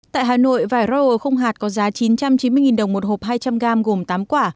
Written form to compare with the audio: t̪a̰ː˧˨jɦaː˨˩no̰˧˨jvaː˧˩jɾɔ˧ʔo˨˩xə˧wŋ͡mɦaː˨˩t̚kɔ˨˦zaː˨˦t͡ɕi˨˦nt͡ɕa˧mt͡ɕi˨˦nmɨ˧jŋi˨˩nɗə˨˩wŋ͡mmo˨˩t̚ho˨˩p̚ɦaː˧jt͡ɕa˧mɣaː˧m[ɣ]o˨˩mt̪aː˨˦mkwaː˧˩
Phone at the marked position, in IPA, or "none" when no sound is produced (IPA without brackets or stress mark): ɣ